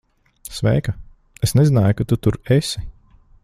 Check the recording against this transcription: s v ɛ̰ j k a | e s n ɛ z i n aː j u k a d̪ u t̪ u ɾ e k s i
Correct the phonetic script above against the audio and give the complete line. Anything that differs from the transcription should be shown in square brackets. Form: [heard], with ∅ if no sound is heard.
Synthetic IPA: s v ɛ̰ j k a | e s n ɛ z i n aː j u k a [t̪] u t̪ u ɾ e [∅] s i